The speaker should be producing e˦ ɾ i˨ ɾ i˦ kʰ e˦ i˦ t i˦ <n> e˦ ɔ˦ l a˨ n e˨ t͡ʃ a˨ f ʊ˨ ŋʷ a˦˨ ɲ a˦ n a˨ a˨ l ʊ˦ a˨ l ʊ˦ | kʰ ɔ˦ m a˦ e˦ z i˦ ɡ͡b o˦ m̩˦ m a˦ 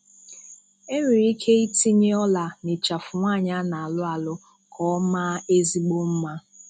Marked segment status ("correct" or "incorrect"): incorrect